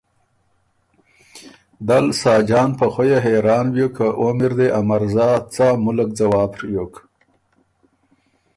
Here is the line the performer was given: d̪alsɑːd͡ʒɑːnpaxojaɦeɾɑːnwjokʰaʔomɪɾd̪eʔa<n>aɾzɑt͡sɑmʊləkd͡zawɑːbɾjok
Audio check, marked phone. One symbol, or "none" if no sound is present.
m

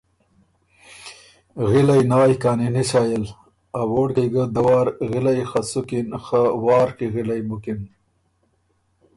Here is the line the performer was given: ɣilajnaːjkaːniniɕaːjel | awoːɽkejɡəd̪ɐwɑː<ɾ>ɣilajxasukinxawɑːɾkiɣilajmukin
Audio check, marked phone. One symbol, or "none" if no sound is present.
ɾ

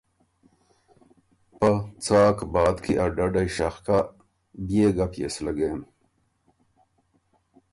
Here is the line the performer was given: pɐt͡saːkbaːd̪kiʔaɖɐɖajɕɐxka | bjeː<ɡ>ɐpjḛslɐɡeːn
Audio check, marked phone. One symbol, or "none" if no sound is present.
ɡ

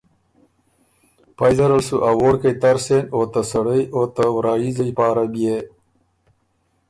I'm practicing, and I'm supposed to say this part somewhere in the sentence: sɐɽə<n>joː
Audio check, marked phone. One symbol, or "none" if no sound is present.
none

